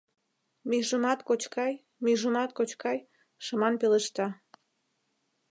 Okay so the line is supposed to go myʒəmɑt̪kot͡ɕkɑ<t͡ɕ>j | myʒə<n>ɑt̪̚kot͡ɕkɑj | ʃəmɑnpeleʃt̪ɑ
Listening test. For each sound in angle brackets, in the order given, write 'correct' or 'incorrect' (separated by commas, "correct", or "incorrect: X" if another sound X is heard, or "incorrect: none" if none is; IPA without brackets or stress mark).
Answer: incorrect: none, incorrect: m